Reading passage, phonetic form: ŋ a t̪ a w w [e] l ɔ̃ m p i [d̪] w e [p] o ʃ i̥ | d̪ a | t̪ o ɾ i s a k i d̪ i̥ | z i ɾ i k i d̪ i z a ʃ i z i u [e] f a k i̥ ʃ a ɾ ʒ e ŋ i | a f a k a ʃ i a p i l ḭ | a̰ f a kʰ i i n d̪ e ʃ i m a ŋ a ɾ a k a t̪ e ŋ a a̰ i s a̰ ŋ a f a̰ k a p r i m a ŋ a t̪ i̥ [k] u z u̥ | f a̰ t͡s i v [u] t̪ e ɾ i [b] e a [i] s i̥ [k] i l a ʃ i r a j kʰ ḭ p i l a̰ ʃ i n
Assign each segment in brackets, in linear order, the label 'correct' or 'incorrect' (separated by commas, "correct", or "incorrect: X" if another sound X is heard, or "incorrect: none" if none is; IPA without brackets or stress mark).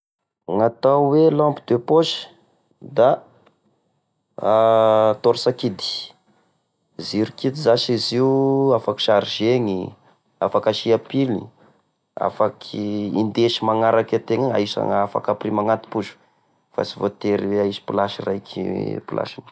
correct, correct, correct, incorrect: a, incorrect: p, incorrect: o, incorrect: w, correct, incorrect: p